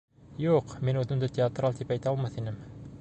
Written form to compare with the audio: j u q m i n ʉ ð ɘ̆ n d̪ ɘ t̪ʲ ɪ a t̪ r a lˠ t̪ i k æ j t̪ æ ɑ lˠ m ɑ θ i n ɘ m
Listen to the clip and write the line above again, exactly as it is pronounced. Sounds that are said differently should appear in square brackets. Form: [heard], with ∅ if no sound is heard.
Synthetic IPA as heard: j u q m i n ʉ ð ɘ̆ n d̪ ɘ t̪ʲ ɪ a t̪ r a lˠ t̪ i [p] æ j t̪ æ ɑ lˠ m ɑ θ i n ɘ m